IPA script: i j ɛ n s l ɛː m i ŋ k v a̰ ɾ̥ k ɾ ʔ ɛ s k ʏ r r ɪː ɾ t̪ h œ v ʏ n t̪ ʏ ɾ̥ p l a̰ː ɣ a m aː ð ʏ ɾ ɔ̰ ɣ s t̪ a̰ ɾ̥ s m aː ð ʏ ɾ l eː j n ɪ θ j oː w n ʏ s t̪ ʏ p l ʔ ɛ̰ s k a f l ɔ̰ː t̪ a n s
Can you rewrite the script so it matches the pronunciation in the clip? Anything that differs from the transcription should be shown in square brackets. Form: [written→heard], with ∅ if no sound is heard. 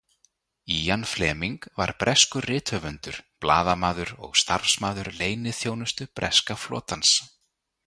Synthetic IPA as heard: i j [ɛ→a] n [s→f] l ɛː m i ŋ k v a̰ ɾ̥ [k→p] ɾ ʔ ɛ s k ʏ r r ɪː [ɾ→∅] t̪ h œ v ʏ n t̪ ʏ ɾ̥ p l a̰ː [ɣ→ð] a m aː ð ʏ ɾ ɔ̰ ɣ s t̪ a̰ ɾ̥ s m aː ð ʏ ɾ l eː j n ɪ θ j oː w n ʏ s t̪ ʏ p [l→ɾ] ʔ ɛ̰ s k a f l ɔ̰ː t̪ a n s